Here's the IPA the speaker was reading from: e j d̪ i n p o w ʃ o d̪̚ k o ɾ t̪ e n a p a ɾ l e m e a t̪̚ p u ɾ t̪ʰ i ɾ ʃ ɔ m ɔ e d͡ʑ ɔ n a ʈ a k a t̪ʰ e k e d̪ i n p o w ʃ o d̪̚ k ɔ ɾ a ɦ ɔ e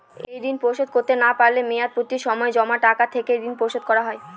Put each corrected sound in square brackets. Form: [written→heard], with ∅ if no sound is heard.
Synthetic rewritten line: e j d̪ i n p o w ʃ o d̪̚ k o ɾ t̪ e n a p a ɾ l e m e a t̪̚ p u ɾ [t̪ʰ→t̪] i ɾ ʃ ɔ m ɔ e d͡ʑ ɔ [n→m] a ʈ a k a t̪ʰ e k e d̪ i n p o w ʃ o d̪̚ k ɔ ɾ a ɦ ɔ e